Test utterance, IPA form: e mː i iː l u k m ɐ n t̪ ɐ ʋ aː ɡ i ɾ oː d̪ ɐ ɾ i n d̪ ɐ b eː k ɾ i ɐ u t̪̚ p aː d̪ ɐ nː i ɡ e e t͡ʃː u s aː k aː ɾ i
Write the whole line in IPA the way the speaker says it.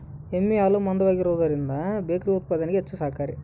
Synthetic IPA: e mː i aː l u m ɐ n d̪ ɐ ʋ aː ɡ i ɾ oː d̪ ɐ ɾ i n d̪ ɐ b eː k ɾ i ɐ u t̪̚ p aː d̪ ɐ n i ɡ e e t͡ʃː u s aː k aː ɾ i